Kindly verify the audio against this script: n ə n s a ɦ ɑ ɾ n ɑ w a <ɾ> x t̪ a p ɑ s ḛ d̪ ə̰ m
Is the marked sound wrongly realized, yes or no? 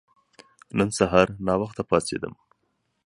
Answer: yes